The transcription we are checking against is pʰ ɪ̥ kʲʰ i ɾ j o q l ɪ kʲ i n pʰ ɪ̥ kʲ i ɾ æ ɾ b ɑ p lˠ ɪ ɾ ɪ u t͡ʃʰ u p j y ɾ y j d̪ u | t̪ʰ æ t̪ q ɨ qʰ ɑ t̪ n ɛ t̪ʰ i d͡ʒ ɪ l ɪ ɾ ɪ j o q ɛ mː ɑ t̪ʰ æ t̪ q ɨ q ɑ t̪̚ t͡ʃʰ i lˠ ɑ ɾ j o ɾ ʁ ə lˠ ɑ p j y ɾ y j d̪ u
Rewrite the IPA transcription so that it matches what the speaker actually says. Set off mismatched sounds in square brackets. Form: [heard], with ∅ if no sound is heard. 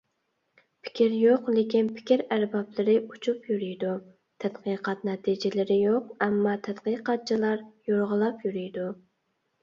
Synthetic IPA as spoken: pʰ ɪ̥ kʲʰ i ɾ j o q l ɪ kʲ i n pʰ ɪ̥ kʲ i ɾ æ ɾ b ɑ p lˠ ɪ ɾ ɪ u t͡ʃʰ u p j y ɾ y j d̪ u | t̪ʰ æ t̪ q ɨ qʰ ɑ t̪ n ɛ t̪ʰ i d͡ʒ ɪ l ɪ ɾ ɪ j o q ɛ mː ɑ t̪ʰ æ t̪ q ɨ q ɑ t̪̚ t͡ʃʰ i lˠ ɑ ɾ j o ɾ ʁ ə lˠ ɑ p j y ɾ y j d̪ u

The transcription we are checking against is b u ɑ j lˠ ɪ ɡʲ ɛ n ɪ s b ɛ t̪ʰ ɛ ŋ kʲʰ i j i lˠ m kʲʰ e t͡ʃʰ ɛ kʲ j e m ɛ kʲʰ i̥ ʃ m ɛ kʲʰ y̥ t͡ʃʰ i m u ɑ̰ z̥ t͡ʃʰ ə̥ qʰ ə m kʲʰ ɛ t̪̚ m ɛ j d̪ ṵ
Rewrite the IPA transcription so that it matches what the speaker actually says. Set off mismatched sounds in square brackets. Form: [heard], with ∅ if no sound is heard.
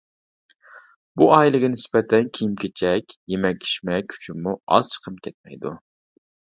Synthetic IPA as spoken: b u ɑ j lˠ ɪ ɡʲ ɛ n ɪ s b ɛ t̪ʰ ɛ [n] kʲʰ i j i [∅] m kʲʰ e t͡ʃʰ ɛ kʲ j e m ɛ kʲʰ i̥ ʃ m ɛ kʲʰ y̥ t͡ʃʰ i m u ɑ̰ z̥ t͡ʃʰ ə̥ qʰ ə m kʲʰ ɛ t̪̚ m ɛ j d̪ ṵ

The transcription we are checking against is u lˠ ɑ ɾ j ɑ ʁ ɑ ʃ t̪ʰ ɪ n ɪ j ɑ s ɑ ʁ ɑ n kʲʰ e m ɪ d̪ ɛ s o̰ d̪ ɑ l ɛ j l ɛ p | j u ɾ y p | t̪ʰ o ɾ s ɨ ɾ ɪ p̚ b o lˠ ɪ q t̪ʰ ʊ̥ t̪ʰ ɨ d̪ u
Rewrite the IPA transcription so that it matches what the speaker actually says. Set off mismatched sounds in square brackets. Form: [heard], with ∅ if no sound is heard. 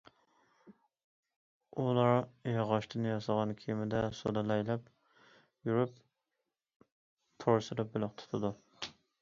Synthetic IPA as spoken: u lˠ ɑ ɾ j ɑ ʁ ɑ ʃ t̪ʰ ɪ n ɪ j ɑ s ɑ ʁ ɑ n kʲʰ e m ɪ d̪ ɛ s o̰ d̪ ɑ l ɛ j l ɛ p | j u ɾ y p | t̪ʰ o ɾ s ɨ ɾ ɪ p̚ b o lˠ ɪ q t̪ʰ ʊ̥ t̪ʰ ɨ d̪ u

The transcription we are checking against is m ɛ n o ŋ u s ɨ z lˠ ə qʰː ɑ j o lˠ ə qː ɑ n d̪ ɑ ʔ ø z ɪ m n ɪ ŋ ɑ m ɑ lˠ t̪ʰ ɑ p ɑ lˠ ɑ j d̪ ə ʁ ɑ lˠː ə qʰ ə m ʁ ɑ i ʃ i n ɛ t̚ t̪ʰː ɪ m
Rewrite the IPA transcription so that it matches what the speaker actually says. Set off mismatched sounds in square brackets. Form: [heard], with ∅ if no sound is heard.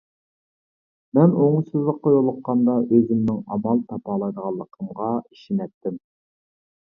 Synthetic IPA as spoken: m ɛ n o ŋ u s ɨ z lˠ ə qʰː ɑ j o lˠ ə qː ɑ n d̪ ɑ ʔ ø z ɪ m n ɪ ŋ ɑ m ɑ lˠ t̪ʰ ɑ p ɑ lˠ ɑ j d̪ ə ʁ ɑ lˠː ə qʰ ə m ʁ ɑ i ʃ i n ɛ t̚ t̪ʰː ɪ m

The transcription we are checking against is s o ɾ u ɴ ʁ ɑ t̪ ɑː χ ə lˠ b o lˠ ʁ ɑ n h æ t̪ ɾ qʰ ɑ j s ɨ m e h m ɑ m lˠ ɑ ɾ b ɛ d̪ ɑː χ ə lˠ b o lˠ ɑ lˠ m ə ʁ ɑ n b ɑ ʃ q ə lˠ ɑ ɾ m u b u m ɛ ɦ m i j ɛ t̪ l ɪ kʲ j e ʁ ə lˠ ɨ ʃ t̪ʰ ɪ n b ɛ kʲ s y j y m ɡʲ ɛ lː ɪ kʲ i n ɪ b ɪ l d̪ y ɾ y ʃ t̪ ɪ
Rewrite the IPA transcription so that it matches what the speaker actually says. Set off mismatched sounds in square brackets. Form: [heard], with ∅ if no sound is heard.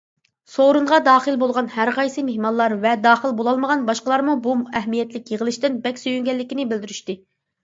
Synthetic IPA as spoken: s o ɾ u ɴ ʁ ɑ [d̪] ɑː χ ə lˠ b o lˠ ʁ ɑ n h æ [∅] ɾ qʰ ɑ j s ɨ m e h m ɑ [n] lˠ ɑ ɾ [v] ɛ d̪ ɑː χ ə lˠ b o lˠ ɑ lˠ m ə ʁ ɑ n b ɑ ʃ q ə lˠ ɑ ɾ m u b u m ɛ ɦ m i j ɛ t̪ l ɪ kʲ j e ʁ ə lˠ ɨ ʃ [t̪] ɪ n b ɛ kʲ s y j y [ŋ] ɡʲ ɛ lː ɪ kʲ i n ɪ b ɪ l d̪ y ɾ y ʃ t̪ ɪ

